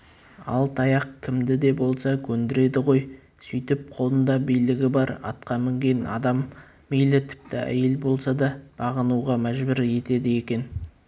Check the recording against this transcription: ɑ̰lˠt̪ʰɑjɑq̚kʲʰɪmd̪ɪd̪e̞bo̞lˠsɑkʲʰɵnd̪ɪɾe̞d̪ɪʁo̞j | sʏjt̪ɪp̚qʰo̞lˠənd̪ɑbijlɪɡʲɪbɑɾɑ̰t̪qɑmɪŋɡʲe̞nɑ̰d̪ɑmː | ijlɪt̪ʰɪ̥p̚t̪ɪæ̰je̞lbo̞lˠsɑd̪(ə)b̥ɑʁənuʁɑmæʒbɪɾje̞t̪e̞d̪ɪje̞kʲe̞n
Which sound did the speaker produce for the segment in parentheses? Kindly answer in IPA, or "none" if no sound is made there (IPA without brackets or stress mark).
ɑ